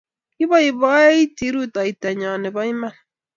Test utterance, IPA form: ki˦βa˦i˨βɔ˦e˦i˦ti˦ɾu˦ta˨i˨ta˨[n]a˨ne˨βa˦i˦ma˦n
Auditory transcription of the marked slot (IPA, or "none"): ɲ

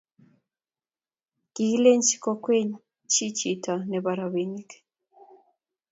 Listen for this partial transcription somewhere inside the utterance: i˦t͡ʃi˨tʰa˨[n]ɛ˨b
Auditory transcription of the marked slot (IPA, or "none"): n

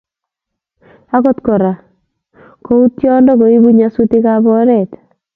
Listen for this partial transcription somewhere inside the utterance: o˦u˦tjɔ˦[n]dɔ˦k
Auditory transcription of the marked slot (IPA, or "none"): n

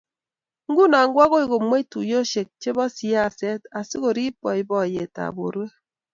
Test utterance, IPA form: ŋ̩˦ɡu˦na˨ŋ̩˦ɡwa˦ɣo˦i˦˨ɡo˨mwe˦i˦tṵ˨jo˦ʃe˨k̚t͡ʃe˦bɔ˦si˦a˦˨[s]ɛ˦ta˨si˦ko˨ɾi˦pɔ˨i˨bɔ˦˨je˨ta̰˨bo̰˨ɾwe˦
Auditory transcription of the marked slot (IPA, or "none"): s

